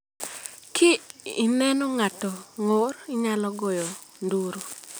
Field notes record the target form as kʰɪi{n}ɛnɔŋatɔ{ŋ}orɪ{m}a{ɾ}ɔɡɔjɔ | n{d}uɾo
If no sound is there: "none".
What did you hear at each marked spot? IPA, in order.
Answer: n, ŋ, ɲ, l, d

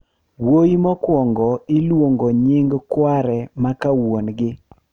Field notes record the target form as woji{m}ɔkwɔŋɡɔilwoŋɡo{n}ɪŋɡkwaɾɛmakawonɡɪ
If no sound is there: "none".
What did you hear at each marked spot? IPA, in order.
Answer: m, ɲ

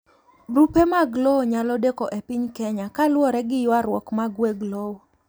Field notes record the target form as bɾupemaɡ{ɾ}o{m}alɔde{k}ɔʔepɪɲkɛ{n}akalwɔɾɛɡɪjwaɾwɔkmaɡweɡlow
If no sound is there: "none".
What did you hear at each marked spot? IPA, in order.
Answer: l, ɲ, k, ɲ

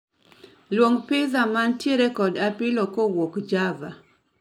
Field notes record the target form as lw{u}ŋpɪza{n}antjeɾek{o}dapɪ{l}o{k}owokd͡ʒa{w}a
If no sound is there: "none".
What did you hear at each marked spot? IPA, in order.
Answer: o, m, ɔ, l, k, v

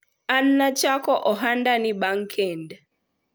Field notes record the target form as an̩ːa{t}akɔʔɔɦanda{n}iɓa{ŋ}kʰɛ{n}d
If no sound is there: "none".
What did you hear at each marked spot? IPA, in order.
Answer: t͡ʃ, n, ŋ, n

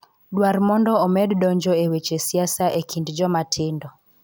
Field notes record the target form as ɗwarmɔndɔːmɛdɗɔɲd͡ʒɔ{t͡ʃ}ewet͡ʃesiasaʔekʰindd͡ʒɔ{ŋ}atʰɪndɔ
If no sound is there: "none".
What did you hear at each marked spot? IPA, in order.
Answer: none, m

